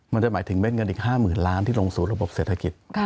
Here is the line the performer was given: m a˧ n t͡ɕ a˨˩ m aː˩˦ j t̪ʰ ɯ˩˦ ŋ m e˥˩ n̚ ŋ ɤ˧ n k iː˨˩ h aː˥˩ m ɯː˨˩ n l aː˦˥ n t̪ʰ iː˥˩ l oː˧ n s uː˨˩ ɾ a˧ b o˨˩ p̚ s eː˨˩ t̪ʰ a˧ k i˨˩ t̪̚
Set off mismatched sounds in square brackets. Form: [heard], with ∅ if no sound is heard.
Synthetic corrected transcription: m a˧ n t͡ɕ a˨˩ m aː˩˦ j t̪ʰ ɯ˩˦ ŋ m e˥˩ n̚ ŋ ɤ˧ n [ʔ] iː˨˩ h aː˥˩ m ɯː˨˩ n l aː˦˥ n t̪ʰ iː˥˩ l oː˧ [ŋ] s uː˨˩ ɾ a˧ b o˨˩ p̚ s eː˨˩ t̪ʰ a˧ k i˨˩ t̪̚